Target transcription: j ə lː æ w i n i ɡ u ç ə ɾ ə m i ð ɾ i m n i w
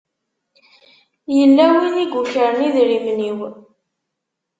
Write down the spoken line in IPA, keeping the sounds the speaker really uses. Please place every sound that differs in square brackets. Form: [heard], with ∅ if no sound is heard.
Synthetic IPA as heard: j ə lː æ w i n i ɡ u ç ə ɾ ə [n] i ð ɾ i m n i w